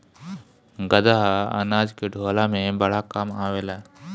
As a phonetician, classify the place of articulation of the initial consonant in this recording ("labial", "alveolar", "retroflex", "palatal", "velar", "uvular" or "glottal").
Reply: velar